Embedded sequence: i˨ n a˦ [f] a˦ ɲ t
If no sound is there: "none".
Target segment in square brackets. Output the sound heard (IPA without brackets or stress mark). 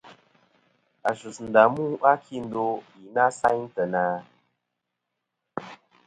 s